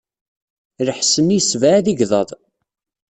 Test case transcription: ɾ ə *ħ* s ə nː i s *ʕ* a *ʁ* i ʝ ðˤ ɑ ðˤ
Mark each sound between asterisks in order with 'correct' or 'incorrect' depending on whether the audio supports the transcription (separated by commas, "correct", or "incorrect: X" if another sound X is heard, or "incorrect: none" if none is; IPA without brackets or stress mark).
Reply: correct, incorrect: v, incorrect: ð